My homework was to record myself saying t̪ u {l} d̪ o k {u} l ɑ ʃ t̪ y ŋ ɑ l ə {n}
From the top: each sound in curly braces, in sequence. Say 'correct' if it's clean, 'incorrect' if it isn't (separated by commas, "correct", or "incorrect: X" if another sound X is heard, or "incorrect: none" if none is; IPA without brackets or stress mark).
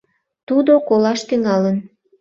incorrect: none, incorrect: o, correct